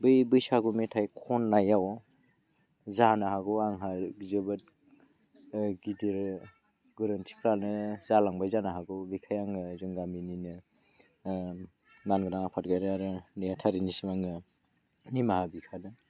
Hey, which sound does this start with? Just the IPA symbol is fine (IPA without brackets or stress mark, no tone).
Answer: b